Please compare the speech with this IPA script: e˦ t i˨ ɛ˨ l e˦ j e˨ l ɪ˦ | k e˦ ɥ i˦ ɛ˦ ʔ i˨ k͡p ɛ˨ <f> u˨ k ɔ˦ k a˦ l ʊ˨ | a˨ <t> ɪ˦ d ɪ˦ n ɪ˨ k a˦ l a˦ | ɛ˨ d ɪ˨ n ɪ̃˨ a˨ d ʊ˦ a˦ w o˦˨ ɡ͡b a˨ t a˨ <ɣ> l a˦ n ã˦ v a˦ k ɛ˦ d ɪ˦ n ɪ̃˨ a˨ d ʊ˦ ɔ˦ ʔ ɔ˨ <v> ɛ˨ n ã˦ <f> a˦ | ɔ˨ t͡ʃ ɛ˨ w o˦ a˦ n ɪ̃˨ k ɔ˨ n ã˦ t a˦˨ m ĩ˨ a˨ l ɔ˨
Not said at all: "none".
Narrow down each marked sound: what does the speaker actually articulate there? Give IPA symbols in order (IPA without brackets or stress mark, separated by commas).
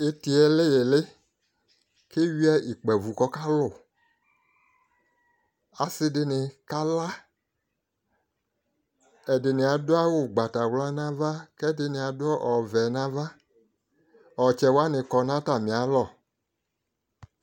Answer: v, s, w, v, v